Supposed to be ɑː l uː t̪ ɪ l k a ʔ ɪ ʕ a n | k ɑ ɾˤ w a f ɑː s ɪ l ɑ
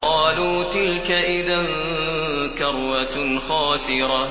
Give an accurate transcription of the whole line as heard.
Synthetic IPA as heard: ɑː l uː t̪ ɪ l k a ʔ ɪ ð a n | k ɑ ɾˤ w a x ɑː s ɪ ɾ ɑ